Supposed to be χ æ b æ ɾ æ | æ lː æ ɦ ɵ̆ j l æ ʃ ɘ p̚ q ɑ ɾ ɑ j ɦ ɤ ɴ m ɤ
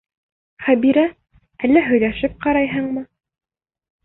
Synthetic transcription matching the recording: χ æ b i ɾ æ | æ lː æ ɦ ɵ̆ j l æ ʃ ɘ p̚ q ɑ ɾ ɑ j ɦ ɤ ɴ m ɤ